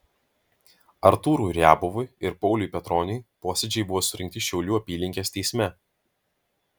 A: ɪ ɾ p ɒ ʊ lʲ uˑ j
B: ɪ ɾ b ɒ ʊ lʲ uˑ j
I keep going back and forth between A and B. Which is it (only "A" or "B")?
A